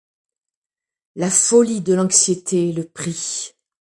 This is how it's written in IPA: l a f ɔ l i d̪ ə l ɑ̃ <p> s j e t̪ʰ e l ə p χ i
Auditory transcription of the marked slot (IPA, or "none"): k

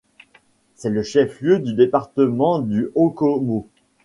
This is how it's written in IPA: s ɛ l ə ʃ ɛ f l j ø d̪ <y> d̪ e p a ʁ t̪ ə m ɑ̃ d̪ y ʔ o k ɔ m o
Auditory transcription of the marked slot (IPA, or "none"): y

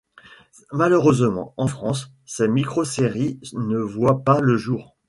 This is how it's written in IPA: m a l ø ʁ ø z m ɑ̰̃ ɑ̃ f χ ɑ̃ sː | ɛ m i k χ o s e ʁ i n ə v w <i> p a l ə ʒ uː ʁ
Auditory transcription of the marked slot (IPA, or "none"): a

